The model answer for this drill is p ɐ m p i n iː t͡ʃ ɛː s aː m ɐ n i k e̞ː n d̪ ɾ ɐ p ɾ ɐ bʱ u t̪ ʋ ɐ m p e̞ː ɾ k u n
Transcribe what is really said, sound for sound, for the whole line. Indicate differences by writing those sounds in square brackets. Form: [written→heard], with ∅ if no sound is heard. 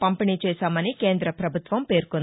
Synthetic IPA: p ɐ m p i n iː t͡ʃ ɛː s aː m ɐ n i k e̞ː n d̪ ɾ ɐ p ɾ ɐ bʱ u t̪ ʋ ɐ m p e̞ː ɾ k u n